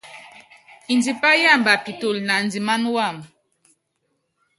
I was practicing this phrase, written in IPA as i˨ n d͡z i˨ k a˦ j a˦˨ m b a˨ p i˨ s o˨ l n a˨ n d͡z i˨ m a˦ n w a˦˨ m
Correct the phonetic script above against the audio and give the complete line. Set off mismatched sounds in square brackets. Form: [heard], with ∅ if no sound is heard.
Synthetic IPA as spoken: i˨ n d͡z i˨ [p] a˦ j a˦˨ m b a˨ p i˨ [t] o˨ l n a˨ n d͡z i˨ m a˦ n w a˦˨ m